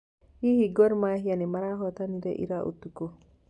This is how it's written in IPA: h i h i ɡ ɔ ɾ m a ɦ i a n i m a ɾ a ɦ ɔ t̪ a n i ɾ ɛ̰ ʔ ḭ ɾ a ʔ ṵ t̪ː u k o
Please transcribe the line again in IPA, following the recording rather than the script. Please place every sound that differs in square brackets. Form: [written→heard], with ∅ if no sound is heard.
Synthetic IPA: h i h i ɡ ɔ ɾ m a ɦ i a n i m a ɾ a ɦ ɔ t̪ a n i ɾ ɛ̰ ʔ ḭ ɾ a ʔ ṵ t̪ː u k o

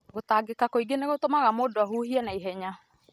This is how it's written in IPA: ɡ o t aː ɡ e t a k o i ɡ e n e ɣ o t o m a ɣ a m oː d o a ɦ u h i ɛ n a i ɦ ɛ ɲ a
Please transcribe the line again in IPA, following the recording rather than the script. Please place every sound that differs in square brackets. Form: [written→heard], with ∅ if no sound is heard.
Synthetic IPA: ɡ o t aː ɡ e [t→k] a k o i ɡ e n e ɣ o t o m a ɣ a m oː d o a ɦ u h i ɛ n a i ɦ ɛ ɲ a

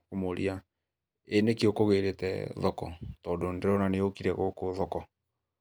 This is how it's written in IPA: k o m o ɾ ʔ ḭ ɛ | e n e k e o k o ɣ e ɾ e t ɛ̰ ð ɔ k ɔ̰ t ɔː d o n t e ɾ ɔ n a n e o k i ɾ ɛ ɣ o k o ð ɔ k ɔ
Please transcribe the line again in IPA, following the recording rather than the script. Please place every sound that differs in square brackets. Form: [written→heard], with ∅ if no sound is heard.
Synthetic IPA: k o m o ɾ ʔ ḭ [ɛ→a] | e n e k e o k o ɣ e ɾ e t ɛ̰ ð ɔ k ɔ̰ t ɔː d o n [t→d] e ɾ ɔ n a n e o k i ɾ ɛ ɣ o k o ð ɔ k ɔ

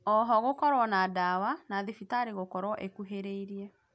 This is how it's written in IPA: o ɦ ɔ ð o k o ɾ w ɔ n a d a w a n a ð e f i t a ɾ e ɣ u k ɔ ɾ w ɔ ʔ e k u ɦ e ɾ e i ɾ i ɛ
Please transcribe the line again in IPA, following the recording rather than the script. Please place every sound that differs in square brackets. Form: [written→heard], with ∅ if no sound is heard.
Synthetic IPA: [o→ɔ] ɦ ɔ [ð→ɣ] o k [o→ɔ] ɾ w ɔ n a d a w a n a ð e f i t a ɾ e ɣ [u→o] k ɔ ɾ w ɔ ʔ e k u ɦ e ɾ e i ɾ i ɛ

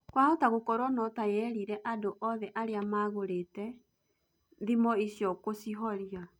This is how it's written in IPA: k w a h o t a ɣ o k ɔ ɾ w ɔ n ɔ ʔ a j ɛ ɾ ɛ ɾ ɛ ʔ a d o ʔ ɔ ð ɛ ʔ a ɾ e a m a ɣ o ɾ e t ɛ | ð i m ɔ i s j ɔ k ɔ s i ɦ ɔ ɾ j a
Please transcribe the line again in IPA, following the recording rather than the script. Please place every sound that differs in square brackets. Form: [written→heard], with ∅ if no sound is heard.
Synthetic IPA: k w a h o t a ɣ o k ɔ ɾ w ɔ n ɔ [ʔ→t] a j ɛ ɾ [ɛ→i] ɾ ɛ ʔ a d o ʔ ɔ ð ɛ ʔ a ɾ e a m a ɣ o ɾ e t ɛ | ð i m ɔ i s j ɔ k [ɔ→o] s i ɦ ɔ ɾ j a

